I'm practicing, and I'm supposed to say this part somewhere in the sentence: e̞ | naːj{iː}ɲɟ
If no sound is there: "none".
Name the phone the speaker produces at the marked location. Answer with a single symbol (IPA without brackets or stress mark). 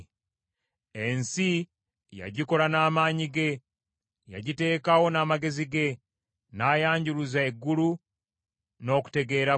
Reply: aː